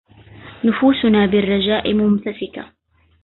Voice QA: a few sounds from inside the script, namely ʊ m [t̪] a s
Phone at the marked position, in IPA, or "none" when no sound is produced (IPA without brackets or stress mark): t̪